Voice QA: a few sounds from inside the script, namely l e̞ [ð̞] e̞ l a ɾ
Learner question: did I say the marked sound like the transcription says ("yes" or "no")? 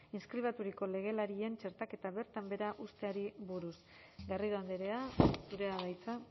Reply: no